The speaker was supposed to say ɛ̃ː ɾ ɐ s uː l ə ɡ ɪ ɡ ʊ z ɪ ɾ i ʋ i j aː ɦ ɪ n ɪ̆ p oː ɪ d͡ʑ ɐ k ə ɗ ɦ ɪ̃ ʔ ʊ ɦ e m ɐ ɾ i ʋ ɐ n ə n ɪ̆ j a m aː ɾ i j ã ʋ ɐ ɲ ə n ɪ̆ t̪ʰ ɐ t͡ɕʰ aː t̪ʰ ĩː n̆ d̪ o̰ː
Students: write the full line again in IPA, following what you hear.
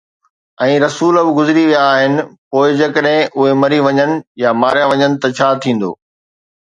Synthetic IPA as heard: ɛ̃ː ɾ ɐ s uː l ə b ɪ ɡ ʊ z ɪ ɾ i ʋ i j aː ɦ ɪ n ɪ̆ p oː ɪ d͡ʑ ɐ k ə ɗ ɦ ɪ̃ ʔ ʊ ɦ e m ɐ ɾ i ʋ ɐ ɲ ə n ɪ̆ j a m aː ɾ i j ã ʋ ɐ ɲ ə n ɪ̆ t̪ ɐ t͡ɕʰ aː t̪ʰ ĩː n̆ d̪ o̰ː